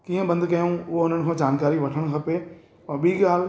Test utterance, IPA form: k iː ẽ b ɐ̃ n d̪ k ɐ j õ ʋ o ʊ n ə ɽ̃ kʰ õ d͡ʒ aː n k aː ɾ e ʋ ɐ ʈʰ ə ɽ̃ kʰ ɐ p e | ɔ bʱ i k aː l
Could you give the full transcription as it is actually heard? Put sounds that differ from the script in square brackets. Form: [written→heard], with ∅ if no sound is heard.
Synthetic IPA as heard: k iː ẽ b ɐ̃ n d̪ k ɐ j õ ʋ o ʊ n ə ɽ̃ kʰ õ d͡ʒ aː n k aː ɾ [e→i] ʋ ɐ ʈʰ ə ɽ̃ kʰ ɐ p e | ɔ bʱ i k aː l